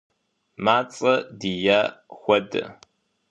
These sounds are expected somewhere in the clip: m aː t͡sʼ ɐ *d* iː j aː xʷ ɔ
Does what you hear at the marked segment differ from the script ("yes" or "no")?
no